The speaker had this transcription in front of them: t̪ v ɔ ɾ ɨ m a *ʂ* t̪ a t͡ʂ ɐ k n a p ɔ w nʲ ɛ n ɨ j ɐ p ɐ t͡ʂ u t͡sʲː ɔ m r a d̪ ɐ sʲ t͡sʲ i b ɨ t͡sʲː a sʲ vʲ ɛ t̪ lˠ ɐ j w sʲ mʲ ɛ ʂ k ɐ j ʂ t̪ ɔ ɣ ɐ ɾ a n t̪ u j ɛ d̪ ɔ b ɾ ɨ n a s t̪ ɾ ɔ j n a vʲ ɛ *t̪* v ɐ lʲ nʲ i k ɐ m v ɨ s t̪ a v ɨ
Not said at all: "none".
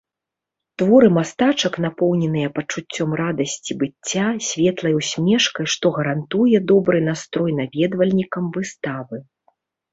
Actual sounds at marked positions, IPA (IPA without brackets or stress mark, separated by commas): s, d̪